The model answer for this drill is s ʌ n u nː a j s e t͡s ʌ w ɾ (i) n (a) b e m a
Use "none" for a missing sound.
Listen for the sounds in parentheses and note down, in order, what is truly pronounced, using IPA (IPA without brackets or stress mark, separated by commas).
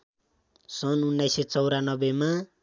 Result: a, ʌ